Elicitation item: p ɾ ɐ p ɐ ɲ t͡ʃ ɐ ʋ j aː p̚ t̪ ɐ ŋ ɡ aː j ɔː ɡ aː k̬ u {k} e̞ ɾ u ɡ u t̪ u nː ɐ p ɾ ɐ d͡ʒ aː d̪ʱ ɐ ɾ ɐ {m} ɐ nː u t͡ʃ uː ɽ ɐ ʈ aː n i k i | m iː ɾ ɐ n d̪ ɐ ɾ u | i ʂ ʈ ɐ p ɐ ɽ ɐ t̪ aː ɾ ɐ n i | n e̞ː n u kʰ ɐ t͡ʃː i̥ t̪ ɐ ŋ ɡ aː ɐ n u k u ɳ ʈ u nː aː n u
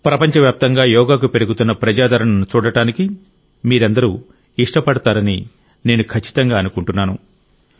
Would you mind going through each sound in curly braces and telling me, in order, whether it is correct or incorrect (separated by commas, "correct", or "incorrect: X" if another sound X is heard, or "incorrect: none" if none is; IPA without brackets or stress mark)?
incorrect: p, incorrect: ɳ